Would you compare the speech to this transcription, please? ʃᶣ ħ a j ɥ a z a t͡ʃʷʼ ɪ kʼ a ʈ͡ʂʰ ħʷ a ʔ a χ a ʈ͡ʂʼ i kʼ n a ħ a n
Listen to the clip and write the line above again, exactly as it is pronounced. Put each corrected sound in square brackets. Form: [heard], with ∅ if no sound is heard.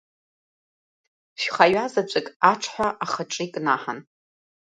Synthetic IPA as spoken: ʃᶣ [χ] a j ɥ a z a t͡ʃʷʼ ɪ kʼ a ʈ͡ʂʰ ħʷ a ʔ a χ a ʈ͡ʂʼ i kʼ n a ħ a n